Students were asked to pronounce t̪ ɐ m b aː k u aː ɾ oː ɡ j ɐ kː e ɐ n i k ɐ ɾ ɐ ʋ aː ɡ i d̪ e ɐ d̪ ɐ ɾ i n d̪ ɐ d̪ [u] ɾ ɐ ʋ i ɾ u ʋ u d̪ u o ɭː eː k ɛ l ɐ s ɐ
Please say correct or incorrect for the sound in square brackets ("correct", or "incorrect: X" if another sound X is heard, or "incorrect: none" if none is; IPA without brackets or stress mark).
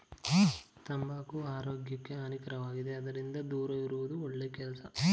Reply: incorrect: uː